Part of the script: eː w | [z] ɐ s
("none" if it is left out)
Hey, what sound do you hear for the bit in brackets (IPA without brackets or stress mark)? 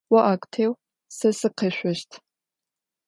s